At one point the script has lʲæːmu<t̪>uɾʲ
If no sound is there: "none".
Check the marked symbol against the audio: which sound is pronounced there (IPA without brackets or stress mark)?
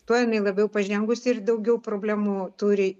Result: t̪